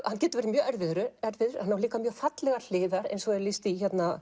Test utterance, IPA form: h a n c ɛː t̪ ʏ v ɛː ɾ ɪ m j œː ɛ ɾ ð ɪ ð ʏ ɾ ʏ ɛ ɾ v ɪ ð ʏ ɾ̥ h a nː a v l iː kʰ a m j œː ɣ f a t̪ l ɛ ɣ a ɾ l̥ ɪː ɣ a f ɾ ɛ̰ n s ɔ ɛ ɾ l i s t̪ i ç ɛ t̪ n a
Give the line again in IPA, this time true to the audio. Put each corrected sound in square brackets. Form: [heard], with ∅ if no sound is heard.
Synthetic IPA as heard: h a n c ɛː t̪ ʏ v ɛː ɾ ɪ m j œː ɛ ɾ [v] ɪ ð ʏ ɾ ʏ ɛ ɾ v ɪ ð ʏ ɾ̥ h a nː a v l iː [k] a m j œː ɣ f a t̪ l ɛ ɣ a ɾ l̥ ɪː [ð] a [∅] ɾ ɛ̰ n s ɔ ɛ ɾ l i s t̪ i ç ɛ t̪ n a